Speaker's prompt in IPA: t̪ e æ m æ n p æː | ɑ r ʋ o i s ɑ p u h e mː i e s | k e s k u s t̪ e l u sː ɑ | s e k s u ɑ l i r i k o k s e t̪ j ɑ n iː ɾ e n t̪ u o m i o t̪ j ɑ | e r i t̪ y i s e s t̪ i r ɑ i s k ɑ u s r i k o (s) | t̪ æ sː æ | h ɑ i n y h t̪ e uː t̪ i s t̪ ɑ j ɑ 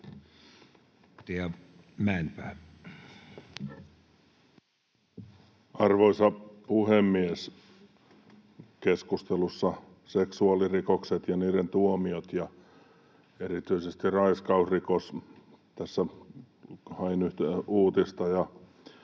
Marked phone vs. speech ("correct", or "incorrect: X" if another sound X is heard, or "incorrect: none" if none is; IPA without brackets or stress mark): correct